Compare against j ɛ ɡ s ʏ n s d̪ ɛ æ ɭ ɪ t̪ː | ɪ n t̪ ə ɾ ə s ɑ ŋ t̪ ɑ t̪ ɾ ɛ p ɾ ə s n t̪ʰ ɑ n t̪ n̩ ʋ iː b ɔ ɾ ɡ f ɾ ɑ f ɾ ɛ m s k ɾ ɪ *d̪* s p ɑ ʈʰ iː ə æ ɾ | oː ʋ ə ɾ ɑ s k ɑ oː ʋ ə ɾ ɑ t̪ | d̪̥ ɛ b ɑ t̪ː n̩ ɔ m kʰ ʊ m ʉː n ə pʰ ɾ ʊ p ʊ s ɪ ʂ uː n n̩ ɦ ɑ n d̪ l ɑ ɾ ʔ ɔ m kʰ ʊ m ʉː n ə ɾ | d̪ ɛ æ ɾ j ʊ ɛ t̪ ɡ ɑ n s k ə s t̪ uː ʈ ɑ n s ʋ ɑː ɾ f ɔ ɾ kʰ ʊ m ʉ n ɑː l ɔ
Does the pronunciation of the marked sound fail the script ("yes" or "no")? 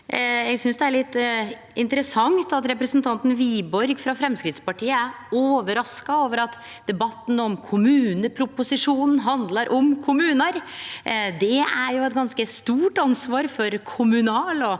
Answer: yes